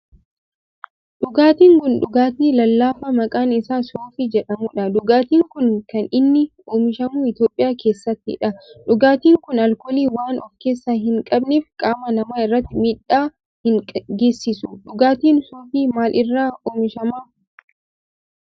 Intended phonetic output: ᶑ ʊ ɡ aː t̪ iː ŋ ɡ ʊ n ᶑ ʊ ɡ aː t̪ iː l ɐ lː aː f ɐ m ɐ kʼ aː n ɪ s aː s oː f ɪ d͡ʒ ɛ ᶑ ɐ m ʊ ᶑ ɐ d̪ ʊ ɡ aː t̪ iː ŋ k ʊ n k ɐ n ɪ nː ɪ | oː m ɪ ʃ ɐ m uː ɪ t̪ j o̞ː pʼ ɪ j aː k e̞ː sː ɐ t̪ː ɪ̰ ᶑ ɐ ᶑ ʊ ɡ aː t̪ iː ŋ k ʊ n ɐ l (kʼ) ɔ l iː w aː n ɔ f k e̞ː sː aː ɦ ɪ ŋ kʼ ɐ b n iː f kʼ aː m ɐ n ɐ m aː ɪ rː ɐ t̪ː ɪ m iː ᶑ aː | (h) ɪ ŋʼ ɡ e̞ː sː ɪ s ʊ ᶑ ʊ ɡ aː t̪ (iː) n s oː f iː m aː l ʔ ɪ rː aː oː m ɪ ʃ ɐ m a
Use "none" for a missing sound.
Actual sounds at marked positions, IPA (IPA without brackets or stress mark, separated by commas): k, h, iː